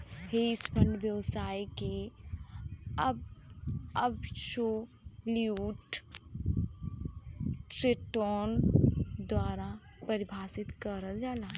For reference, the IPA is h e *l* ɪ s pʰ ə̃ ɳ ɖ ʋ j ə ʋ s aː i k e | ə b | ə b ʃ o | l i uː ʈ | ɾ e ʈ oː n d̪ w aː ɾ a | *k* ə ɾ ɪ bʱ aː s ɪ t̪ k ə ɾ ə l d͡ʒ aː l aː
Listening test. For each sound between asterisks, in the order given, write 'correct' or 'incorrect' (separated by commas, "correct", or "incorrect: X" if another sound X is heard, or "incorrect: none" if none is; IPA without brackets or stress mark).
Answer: incorrect: none, incorrect: p